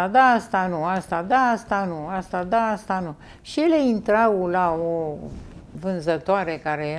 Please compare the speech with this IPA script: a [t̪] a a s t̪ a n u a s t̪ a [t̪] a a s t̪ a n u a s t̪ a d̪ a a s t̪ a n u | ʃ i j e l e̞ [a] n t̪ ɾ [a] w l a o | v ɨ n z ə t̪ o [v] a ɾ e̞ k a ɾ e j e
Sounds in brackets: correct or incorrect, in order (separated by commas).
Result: incorrect, incorrect, incorrect, correct, incorrect